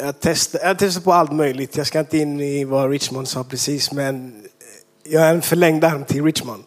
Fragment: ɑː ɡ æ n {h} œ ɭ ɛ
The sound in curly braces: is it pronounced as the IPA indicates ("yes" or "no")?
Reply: no